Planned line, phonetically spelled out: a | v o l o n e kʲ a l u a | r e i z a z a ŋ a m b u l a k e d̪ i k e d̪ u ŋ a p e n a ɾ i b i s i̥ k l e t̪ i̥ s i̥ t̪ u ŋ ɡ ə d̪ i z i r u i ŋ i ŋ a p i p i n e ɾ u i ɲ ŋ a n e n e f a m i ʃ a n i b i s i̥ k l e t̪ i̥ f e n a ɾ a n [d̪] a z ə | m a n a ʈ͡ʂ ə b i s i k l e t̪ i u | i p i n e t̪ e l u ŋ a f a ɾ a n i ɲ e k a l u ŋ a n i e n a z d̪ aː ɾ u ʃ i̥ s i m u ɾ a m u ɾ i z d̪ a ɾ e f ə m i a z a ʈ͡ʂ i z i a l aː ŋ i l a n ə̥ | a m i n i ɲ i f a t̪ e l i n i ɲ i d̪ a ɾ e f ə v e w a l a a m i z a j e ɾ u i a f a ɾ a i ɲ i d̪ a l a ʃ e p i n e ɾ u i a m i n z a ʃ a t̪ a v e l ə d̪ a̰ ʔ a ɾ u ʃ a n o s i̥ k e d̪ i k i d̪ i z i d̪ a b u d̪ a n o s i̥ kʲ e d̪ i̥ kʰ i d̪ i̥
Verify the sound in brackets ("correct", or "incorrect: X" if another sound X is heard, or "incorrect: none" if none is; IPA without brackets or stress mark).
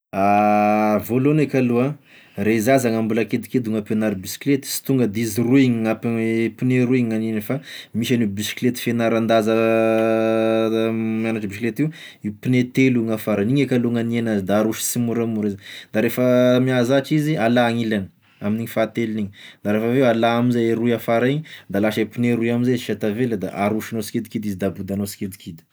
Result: correct